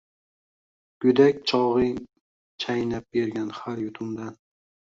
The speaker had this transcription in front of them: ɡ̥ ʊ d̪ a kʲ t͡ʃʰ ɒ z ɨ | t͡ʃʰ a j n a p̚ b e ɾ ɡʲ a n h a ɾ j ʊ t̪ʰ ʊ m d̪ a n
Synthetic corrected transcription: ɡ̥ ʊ d̪ a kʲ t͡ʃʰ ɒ ʁ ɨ | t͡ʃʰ a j n a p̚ b e ɾ ɡʲ a n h a ɾ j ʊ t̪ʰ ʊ m d̪ a n